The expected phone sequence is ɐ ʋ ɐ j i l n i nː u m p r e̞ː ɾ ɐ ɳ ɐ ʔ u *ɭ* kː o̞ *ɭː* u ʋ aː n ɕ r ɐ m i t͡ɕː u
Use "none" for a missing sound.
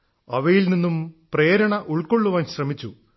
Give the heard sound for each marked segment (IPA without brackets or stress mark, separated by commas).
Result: ɭ, ɭː